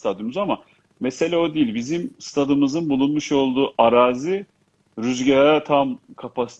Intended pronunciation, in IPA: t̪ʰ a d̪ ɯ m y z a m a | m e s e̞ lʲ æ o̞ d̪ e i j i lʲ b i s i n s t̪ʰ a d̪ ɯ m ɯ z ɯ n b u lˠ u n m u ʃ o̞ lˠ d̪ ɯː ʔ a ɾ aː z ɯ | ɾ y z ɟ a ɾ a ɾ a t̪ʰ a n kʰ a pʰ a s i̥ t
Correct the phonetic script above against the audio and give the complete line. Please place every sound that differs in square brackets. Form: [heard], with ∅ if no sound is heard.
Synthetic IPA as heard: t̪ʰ a d̪ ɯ m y z a m a | m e s e̞ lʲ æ o̞ d̪ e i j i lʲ b i [z] i [m] s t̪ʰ a d̪ ɯ m ɯ z ɯ n b u lˠ u n m u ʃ o̞ lˠ d̪ [uː] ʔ a ɾ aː z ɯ | ɾ y z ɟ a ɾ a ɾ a t̪ʰ a [m] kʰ a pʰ a s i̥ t

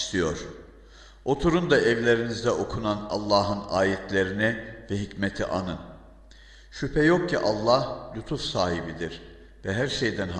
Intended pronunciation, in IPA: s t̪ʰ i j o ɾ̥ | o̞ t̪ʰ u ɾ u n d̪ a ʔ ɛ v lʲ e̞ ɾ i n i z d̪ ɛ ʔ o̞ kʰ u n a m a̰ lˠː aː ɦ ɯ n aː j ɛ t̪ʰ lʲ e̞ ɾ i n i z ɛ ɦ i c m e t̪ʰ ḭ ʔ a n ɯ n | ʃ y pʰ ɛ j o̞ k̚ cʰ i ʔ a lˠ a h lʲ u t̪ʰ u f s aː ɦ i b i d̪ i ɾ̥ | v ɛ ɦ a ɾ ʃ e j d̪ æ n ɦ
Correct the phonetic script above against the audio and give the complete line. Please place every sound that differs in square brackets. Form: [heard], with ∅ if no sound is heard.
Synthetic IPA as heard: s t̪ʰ i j o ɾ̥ | o̞ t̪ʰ u ɾ u n d̪ a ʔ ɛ v lʲ e̞ ɾ i n i z d̪ ɛ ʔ o̞ kʰ u n a [n] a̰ lˠː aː ɦ ɯ n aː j ɛ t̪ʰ lʲ e̞ ɾ i n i [v] ɛ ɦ i c m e t̪ʰ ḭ ʔ a n ɯ n | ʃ y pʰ ɛ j o̞ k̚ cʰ i ʔ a [lˠː] a h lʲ u t̪ʰ u f s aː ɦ i b i d̪ i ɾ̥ | v ɛ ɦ [æ] ɾ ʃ e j d̪ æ n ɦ

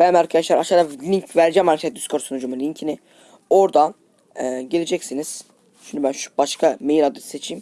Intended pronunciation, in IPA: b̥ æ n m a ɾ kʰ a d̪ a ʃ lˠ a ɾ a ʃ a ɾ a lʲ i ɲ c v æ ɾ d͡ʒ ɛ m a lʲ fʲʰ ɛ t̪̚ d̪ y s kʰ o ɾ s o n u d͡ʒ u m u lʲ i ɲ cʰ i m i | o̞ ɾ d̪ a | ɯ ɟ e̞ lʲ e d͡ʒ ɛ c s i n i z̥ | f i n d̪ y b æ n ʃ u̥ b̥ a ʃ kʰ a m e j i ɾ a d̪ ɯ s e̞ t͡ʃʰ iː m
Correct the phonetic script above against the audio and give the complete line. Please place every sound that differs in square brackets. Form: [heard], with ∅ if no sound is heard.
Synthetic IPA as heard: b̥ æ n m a ɾ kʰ a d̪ a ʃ lˠ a ɾ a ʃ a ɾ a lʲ i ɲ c v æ ɾ d͡ʒ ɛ m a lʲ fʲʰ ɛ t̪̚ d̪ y s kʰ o ɾ s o n u d͡ʒ u m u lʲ i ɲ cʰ i [n] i | o̞ ɾ d̪ a | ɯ ɟ e̞ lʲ e d͡ʒ ɛ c s i n i z̥ | [ʃ] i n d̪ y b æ n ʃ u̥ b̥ a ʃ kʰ a m e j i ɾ a d̪ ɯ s e̞ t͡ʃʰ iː m

